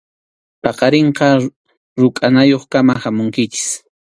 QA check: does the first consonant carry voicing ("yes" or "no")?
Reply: no